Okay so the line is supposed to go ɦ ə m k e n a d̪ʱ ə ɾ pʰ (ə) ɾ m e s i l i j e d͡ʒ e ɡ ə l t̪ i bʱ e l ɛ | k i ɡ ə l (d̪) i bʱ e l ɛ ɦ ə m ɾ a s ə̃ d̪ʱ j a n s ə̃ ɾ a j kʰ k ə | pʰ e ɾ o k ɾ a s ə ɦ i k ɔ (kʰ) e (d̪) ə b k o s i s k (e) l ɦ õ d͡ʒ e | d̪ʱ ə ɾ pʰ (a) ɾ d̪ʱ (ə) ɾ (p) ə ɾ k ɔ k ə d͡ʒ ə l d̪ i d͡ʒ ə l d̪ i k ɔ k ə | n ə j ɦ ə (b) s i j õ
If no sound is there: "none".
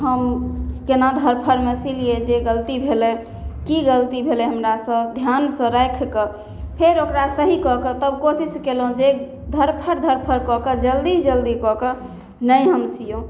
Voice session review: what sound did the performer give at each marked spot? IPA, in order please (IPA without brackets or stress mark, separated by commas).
ə, t̪, k, t̪, e, ə, ə, pʰ, m